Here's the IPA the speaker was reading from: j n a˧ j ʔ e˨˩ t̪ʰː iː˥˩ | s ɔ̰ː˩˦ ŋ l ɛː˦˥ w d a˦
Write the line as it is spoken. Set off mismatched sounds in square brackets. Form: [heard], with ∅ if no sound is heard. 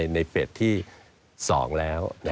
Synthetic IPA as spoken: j n a˧ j [p] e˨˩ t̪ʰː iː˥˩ | s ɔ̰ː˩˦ ŋ l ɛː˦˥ w [n] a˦